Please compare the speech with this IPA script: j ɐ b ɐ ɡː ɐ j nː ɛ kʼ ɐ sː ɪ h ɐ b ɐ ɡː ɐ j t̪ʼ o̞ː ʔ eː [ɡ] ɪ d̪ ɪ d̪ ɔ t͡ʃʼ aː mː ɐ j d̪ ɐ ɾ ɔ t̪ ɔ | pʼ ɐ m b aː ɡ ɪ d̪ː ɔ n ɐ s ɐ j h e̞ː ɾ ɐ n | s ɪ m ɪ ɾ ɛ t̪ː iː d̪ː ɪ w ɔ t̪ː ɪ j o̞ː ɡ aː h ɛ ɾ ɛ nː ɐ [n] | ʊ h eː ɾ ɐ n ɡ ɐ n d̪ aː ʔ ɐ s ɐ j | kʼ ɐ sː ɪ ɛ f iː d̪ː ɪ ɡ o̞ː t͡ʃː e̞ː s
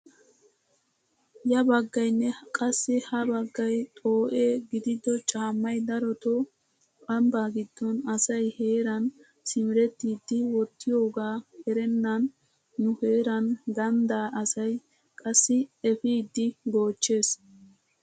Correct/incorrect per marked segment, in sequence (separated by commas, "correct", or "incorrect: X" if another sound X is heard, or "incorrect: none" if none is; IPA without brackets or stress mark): correct, incorrect: nː